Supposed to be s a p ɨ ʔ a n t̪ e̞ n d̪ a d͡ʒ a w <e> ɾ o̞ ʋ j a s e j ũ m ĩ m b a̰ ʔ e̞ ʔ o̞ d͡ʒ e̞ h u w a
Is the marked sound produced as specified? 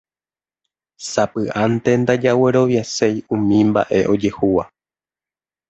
yes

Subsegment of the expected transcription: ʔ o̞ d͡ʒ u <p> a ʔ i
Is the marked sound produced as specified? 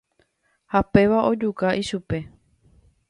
no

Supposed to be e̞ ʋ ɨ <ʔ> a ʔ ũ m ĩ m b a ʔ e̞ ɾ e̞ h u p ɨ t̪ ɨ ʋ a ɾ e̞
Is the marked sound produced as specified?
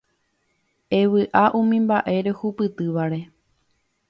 yes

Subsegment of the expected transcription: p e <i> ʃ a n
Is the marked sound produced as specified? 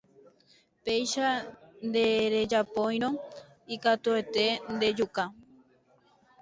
no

